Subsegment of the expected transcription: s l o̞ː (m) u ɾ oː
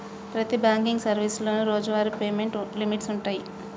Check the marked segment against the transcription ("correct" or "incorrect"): incorrect